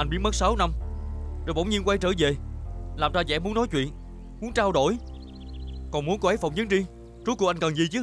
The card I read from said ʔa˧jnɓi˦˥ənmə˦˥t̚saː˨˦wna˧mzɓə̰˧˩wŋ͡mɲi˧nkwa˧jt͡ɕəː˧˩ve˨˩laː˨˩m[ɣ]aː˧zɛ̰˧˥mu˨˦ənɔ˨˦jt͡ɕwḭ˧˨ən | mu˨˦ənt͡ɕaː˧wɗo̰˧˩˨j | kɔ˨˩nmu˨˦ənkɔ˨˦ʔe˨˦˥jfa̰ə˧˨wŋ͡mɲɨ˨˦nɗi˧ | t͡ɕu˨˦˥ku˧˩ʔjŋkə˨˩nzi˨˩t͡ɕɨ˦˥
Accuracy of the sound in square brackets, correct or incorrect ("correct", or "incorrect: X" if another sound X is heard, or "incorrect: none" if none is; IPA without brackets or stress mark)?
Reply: incorrect: z